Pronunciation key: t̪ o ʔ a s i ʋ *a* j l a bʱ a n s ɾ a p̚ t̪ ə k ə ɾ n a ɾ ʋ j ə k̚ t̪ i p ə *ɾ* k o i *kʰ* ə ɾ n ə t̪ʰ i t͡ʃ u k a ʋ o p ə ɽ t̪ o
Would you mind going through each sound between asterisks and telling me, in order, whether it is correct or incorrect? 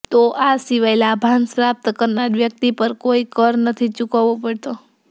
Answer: correct, correct, incorrect

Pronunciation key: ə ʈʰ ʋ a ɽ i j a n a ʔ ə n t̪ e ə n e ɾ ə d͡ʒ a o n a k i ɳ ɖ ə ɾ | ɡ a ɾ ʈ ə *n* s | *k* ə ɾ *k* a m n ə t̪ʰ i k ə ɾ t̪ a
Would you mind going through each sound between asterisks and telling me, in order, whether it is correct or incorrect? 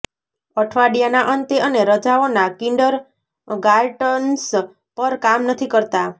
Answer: correct, incorrect, correct

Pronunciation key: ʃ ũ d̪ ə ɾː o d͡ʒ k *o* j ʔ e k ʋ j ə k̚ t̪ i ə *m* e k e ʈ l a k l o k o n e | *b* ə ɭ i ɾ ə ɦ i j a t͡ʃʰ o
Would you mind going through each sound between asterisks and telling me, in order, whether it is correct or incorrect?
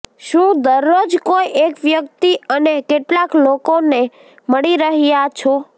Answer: correct, incorrect, incorrect

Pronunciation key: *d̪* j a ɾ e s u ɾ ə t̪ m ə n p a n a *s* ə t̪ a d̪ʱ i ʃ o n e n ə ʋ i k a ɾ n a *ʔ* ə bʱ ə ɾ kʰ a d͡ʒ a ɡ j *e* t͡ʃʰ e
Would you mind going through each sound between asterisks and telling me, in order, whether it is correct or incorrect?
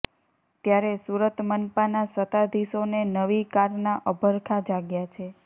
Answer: incorrect, correct, correct, incorrect

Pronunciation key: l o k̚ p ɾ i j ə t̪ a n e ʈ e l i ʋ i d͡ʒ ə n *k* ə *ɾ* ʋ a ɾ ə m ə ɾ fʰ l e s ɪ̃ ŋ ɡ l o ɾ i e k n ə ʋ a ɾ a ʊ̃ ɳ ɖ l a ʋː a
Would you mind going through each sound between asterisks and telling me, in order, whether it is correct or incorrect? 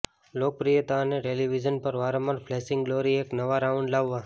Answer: incorrect, correct

